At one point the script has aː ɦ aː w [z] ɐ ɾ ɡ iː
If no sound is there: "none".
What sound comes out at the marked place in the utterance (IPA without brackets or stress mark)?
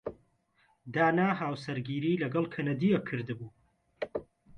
s